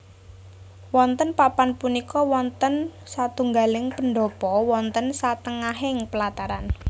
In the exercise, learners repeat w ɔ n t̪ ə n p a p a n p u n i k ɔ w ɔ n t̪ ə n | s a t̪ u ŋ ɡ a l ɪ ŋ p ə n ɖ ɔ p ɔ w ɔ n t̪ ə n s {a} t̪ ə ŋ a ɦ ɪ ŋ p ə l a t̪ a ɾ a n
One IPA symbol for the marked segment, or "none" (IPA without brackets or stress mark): a